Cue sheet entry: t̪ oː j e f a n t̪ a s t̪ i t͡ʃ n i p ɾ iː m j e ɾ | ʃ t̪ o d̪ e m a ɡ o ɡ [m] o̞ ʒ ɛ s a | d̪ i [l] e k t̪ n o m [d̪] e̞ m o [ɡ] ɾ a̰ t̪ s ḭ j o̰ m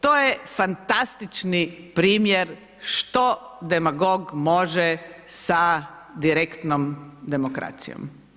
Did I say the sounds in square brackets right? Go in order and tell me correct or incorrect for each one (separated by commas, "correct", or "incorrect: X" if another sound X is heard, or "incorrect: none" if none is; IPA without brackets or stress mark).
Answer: correct, incorrect: ɾ, correct, incorrect: k